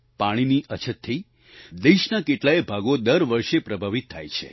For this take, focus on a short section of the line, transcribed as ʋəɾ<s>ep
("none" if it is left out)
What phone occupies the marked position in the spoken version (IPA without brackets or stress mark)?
ʃ